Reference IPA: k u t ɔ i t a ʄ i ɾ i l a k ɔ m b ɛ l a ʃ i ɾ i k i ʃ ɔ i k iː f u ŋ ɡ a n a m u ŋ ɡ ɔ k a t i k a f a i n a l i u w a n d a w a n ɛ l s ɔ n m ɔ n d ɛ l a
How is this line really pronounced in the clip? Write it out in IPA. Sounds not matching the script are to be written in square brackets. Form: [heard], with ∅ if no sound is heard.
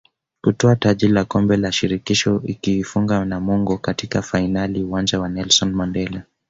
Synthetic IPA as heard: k u t ɔ [a] t a ʄ i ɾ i l a k ɔ m b ɛ l a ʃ i ɾ i k i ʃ ɔ i k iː f u ŋ ɡ a n a m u ŋ ɡ ɔ k a t i k a f a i n a l i u w a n [d͡ʒ] a w a n ɛ l s ɔ n m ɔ n d ɛ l a